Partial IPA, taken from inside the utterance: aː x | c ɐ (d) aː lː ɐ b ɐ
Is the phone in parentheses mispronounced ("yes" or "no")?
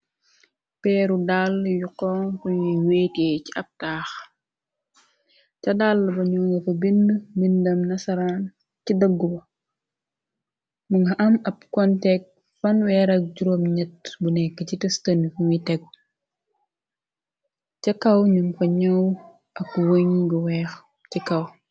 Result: no